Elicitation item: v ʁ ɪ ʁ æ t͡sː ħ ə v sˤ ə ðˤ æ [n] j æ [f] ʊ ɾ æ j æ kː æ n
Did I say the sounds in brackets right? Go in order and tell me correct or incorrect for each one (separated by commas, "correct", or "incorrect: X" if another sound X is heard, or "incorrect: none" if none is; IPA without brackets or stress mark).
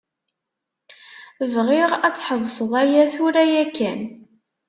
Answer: incorrect: none, incorrect: θ